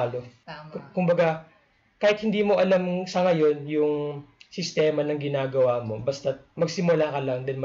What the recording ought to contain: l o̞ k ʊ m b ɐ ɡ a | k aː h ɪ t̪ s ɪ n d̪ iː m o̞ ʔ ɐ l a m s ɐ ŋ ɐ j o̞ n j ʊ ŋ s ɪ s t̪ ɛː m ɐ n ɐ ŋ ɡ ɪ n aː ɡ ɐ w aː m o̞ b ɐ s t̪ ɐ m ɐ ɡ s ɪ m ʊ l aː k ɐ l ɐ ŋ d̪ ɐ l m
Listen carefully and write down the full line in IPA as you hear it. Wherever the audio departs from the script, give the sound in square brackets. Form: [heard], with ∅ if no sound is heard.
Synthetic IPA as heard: l o̞ k ʊ m b ɐ ɡ a | k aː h ɪ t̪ [h] ɪ n d̪ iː m o̞ ʔ ɐ l a m s ɐ ŋ ɐ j o̞ n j ʊ ŋ s ɪ s t̪ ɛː m ɐ n ɐ ŋ ɡ ɪ n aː ɡ ɐ w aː m o̞ b ɐ s t̪ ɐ m ɐ ɡ s ɪ m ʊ l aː k ɐ l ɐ ŋ d̪ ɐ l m